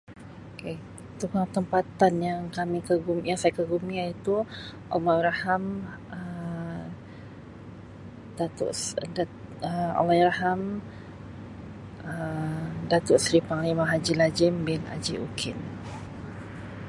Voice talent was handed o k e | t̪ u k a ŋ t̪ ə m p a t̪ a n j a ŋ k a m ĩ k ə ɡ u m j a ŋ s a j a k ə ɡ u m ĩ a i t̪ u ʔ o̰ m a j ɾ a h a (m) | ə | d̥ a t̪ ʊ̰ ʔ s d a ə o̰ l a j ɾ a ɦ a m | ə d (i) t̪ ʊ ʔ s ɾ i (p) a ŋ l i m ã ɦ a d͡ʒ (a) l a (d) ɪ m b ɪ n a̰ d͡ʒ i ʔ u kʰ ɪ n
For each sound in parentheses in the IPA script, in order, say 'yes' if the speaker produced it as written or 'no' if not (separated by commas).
yes, no, yes, no, no